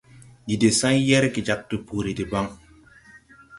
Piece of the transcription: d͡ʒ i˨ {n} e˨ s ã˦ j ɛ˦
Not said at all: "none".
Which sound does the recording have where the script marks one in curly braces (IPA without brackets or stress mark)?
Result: d